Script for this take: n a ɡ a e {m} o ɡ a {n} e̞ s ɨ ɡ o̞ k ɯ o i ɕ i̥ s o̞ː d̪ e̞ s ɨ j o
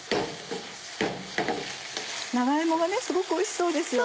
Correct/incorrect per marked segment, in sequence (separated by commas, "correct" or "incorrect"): correct, correct